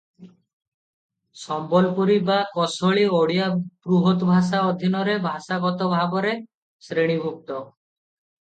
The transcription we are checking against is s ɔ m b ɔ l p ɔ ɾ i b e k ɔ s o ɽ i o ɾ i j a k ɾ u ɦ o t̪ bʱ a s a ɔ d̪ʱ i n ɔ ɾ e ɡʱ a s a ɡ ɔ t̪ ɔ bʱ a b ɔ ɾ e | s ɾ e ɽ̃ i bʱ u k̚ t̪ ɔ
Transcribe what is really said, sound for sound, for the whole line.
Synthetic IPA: s ɔ m b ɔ l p u ɾ i b a k ɔ s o ɭ i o ɽ i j a p ɾ u ɦ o t̪ bʱ a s a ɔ d̪ʱ i n ɔ ɾ e bʱ a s a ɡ ɔ t̪ ɔ bʱ a b ɔ ɾ e | s ɾ e ɽ̃ i bʱ u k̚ t̪ ɔ